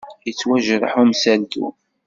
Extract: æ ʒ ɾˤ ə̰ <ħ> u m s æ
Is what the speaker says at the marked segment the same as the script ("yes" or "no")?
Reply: yes